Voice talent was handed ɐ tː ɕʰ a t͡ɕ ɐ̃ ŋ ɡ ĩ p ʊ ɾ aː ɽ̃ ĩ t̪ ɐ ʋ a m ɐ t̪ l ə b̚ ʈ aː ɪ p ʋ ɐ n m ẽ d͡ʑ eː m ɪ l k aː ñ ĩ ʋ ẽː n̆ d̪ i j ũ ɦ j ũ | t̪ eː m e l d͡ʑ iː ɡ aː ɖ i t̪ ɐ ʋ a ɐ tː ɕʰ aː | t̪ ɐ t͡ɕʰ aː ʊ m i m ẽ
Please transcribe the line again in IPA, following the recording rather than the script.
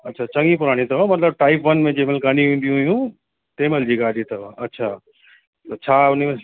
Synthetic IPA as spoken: ɐ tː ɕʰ a t͡ɕ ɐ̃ ŋ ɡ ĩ p ʊ ɾ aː ɽ̃ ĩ t̪ ɐ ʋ a m ɐ t̪ l ə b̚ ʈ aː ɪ p ʋ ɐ n m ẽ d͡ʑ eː m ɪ l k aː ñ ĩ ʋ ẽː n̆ d̪ i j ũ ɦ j ũ | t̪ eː m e l d͡ʑ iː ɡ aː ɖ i t̪ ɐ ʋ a ɐ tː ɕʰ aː | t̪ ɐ t͡ɕʰ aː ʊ n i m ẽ